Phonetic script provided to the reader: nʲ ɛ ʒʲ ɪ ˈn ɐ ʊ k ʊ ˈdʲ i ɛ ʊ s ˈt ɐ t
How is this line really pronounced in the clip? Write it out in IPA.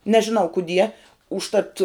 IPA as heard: nʲ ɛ ʒʲ ɪ ˈn ɐ ʊ k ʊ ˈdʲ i ɛ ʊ ʃ ˈt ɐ t